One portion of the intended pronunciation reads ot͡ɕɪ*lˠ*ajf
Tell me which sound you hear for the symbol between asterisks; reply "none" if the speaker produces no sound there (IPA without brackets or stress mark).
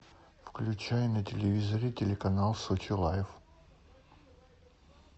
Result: lˠ